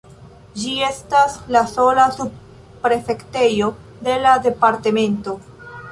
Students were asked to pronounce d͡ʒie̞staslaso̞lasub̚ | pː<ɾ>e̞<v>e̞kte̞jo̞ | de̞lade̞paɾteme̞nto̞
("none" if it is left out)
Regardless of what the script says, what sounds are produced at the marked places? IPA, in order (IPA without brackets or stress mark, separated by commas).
ɾ, f